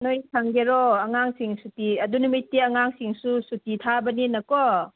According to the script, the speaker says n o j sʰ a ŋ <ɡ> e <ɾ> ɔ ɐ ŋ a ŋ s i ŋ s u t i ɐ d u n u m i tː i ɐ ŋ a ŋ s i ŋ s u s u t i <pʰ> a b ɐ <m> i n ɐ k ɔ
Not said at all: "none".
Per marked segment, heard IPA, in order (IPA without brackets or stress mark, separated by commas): ɡ, ɾ, tʰ, n